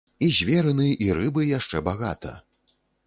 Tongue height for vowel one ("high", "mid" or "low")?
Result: high